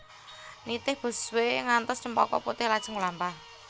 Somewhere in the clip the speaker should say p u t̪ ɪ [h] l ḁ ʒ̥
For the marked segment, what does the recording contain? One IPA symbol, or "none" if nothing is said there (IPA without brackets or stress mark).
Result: h